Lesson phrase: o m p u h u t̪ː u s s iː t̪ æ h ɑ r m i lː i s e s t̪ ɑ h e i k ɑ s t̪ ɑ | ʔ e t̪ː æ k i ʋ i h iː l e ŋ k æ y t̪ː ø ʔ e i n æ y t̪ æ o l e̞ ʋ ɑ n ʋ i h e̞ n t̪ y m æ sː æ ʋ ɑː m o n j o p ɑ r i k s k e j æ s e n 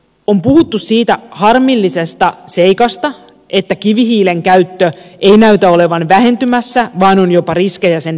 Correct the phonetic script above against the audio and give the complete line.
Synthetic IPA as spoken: o m p u h u t̪ː u s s iː t̪ æ h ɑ r m i lː i s e s t̪ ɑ s e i k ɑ s t̪ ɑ | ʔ e t̪ː æ k i ʋ i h iː l e ŋ k æ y t̪ː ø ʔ e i n æ y t̪ æ o l e̞ ʋ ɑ n ʋ æ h e̞ n t̪ y m æ sː æ ʋ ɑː n o n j o p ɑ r i s k e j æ s e n